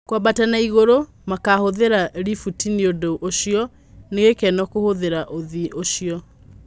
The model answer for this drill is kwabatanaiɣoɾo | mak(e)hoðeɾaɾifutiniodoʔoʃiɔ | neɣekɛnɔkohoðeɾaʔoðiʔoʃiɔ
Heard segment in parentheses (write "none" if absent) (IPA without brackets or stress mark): a